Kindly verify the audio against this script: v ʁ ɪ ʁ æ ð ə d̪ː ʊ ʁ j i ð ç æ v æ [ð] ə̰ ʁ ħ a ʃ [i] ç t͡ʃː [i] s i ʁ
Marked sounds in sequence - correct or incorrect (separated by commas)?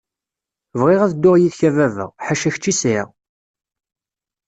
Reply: incorrect, incorrect, correct